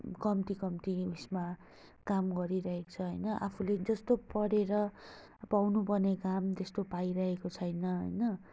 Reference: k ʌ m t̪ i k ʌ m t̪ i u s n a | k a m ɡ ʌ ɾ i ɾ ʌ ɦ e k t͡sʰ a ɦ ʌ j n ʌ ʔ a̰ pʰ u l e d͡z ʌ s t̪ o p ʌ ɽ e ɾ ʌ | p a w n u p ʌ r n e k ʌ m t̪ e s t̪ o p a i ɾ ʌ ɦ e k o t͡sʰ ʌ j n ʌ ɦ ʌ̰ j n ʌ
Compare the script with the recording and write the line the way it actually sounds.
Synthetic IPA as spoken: k ʌ m t̪ i k ʌ m t̪ i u s m a | k a m ɡ ʌ ɾ i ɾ ʌ ɦ e k t͡sʰ ʌ ɦ ʌ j n ʌ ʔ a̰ pʰ u l e d͡z ʌ s t̪ o p ʌ ɽ e ɾ ʌ | p a w n u p ʌ r n e k a m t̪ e s t̪ o p a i ɾ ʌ ɦ e k o t͡sʰ ʌ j n ʌ ɦ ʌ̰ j n ʌ